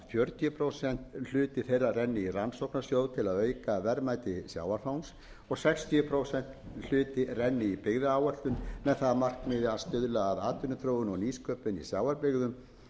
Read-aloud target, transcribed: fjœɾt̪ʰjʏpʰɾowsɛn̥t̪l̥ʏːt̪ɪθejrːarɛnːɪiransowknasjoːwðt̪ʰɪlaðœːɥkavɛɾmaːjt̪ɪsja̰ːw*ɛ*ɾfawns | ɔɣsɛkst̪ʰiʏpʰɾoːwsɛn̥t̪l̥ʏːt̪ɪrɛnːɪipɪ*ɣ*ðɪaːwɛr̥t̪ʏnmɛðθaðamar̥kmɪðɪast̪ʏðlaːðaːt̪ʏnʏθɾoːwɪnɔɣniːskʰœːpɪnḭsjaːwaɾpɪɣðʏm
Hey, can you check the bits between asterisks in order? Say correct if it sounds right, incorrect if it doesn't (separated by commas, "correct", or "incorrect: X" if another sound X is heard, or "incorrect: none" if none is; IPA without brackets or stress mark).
incorrect: a, correct